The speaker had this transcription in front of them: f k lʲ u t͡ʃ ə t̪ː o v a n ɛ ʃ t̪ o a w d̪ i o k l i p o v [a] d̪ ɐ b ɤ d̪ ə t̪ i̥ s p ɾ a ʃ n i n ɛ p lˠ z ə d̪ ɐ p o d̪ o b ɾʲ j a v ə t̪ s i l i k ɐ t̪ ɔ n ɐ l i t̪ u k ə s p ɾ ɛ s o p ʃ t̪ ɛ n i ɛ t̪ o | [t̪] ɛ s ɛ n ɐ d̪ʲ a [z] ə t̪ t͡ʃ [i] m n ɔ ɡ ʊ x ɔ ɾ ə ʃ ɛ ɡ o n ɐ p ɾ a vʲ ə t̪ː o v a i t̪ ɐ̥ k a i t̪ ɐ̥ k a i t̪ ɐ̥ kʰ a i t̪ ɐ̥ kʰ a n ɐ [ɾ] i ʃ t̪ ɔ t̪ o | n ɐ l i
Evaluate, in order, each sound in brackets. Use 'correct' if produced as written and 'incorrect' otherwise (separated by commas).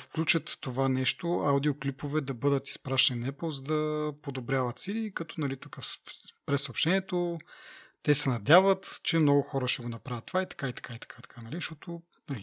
incorrect, correct, incorrect, incorrect, incorrect